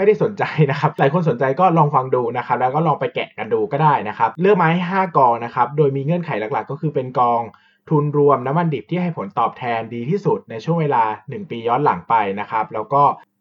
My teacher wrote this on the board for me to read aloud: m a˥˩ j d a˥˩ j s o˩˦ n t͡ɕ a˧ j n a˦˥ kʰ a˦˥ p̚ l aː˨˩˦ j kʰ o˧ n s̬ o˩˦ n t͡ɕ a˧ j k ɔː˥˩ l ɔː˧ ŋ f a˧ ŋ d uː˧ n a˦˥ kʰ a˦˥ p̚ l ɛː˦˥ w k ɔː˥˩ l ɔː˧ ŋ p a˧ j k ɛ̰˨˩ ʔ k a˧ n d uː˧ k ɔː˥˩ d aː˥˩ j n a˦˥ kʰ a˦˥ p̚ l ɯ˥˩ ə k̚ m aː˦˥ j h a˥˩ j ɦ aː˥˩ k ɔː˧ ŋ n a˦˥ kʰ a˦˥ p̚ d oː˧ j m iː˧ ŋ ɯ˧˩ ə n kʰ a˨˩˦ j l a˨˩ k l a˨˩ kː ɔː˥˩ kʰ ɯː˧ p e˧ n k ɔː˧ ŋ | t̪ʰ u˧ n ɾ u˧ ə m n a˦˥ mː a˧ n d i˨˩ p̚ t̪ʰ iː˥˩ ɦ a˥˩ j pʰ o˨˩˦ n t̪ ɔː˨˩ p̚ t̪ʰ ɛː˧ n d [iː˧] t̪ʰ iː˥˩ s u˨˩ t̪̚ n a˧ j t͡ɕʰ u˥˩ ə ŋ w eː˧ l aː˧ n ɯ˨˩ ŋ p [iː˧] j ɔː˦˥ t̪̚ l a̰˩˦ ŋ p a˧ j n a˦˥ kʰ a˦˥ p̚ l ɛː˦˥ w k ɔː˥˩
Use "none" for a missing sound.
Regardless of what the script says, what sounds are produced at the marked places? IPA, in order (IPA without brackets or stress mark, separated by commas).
iː˧, iː˧